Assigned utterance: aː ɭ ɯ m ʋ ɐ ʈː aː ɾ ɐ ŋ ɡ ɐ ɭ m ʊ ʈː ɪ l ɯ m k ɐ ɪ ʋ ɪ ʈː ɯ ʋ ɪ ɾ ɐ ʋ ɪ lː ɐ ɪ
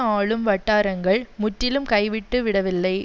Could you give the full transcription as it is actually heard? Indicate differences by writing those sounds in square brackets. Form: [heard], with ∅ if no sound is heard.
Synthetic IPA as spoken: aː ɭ ɯ m ʋ ɐ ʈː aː ɾ ɐ ŋ ɡ ɐ ɭ m ʊ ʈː ɪ l ɯ m k ɐ ɪ ʋ ɪ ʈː ɯ ʋ ɪ [ɽ] ɐ ʋ ɪ lː ɐ ɪ